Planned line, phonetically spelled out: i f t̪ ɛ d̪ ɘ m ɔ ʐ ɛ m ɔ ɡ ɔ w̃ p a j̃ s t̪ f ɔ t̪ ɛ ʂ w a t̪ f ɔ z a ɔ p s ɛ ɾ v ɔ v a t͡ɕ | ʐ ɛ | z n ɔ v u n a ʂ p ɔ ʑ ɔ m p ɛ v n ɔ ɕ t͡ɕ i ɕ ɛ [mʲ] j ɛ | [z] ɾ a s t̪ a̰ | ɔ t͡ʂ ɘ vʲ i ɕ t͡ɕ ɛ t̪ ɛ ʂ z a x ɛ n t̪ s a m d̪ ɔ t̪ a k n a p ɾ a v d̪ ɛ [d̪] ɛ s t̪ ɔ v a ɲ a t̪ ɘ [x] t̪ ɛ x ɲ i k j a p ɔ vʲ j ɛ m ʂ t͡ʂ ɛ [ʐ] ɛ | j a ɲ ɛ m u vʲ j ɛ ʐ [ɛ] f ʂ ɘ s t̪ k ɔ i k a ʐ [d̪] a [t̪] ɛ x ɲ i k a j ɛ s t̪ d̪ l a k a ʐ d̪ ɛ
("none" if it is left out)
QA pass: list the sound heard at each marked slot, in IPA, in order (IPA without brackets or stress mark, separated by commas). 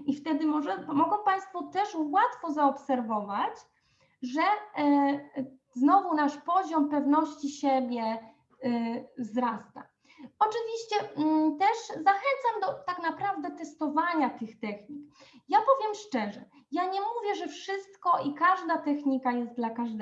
bʲ, z, t̪, x, ʐ, ɛ, d̪, t̪